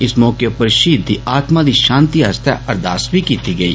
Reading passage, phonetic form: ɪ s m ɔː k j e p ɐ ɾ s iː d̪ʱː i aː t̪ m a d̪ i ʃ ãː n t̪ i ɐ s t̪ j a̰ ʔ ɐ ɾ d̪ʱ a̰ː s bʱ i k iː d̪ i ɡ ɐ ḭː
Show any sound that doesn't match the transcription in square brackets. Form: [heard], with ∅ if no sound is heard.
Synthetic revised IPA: ɪ s m ɔː k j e p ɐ ɾ [ʃ] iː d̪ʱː i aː t̪ m a d̪ i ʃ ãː n t̪ i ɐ s t̪ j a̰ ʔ ɐ ɾ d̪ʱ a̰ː s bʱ i k iː [t̪] i ɡ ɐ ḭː